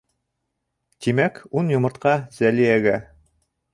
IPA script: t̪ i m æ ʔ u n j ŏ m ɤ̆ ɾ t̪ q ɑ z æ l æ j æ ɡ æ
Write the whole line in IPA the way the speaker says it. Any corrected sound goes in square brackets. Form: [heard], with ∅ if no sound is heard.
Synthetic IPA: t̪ i m æ [k] u n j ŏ m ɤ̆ ɾ t̪ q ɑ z æ l [i] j æ ɡ æ